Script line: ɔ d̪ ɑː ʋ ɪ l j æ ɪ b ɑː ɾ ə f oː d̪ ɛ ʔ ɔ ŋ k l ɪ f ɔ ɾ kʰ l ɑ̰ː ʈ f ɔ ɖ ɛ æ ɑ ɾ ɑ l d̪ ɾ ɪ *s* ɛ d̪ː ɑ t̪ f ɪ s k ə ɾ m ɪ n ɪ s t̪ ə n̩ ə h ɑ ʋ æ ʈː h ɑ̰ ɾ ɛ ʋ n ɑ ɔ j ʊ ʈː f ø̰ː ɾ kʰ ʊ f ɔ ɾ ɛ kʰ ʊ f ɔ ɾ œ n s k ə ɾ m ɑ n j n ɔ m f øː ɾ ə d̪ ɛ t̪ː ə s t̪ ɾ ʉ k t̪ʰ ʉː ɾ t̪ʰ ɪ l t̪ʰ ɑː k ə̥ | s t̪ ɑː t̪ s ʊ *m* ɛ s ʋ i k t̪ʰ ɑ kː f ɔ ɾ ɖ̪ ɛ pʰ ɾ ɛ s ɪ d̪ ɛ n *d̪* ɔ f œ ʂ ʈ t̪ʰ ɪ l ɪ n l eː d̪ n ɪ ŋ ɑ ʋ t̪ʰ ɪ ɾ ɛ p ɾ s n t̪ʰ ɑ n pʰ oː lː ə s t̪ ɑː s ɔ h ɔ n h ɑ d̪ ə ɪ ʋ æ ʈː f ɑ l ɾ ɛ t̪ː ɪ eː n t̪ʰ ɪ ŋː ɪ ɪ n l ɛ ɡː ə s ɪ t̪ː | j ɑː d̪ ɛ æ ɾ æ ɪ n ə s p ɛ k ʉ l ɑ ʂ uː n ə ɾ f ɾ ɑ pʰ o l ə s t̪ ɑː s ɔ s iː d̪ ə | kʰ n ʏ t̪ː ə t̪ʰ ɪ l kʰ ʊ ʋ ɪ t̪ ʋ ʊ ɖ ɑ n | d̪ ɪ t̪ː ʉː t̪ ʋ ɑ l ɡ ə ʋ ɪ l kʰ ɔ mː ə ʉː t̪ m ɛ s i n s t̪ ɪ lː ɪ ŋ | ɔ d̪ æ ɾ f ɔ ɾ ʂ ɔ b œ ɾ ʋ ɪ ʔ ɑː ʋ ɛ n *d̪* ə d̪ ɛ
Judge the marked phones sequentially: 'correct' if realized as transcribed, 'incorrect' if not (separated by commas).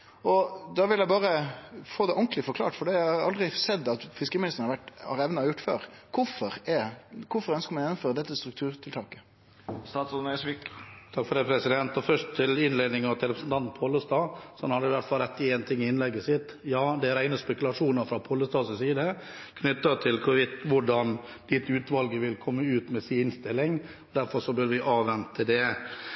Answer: correct, incorrect, incorrect, incorrect